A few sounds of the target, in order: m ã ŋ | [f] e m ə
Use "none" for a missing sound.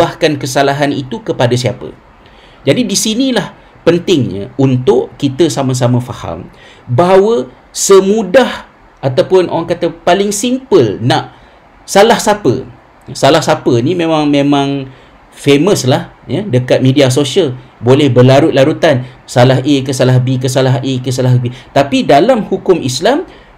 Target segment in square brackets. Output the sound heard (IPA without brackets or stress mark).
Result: f